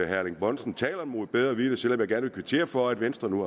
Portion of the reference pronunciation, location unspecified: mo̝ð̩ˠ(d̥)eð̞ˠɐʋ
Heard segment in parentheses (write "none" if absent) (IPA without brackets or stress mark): b̥